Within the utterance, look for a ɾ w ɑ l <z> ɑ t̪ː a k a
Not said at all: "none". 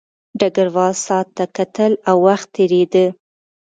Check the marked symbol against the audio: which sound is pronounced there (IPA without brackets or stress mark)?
s